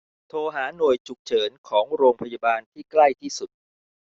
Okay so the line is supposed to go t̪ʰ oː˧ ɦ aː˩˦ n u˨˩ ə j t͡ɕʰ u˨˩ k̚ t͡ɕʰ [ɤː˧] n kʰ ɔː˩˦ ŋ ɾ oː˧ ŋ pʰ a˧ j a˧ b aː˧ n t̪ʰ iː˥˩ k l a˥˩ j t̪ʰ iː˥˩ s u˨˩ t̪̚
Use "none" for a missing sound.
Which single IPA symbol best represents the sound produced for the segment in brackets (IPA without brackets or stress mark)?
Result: ɤː˩˦